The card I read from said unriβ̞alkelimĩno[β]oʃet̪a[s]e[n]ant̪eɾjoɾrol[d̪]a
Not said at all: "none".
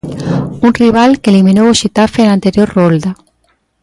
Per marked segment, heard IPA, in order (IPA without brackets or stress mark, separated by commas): w, f, n, d̪